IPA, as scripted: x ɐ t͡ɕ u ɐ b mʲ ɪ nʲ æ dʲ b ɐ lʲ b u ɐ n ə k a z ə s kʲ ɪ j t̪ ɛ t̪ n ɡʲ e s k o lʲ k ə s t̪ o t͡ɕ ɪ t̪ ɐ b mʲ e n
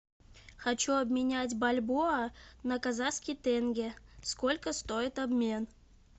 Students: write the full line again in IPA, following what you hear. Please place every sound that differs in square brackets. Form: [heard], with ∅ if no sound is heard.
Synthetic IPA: x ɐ t͡ɕ u ɐ b mʲ ɪ nʲ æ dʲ b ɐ lʲ b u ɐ n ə k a z [a] s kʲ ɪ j t̪ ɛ [∅] n ɡʲ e s k o lʲ k ə s t̪ o [∅] ɪ t̪ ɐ b mʲ e n